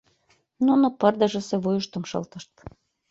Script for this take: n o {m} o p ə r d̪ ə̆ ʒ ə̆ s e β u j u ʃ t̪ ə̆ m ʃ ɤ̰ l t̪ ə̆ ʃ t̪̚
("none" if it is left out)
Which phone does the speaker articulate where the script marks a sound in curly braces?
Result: n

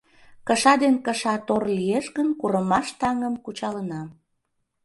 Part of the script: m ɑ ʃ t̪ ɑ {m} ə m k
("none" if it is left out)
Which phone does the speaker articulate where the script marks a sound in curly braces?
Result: ŋ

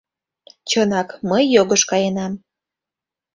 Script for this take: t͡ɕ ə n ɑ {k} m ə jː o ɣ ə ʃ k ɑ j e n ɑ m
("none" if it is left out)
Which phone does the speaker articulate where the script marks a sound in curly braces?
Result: k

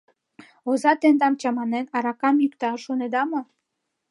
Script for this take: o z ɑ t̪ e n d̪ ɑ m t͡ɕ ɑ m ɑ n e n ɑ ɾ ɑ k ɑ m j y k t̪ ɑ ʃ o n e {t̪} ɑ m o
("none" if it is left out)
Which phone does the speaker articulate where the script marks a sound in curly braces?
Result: d̪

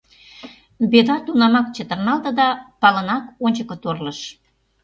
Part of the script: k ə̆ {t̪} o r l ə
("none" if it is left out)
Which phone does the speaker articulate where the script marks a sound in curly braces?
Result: t̪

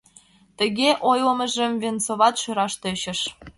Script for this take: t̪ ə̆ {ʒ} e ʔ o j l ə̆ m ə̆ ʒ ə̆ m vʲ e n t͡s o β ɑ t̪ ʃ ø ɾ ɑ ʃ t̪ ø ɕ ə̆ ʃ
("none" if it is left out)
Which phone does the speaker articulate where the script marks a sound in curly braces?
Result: ɣ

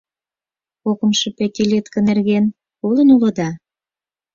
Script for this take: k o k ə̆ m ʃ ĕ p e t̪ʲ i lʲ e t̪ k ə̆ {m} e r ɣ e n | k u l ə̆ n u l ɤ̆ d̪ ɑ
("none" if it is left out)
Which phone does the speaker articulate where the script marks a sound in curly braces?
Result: n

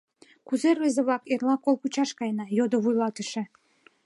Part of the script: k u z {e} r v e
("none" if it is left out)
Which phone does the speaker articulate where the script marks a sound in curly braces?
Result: e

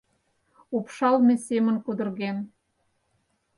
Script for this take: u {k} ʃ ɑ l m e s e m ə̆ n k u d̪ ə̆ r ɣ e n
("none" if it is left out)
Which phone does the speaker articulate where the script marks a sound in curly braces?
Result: p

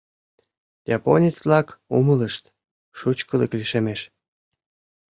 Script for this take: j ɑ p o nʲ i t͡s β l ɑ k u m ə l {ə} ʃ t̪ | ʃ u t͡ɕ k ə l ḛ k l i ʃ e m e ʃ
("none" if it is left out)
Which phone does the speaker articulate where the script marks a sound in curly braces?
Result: ə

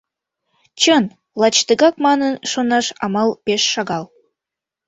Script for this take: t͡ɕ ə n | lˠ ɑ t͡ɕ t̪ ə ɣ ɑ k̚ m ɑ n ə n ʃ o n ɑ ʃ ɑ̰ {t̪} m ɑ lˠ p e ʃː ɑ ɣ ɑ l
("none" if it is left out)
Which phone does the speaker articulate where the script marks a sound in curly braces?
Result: none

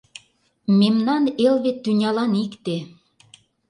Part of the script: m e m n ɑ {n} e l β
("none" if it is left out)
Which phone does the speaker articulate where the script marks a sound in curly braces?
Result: n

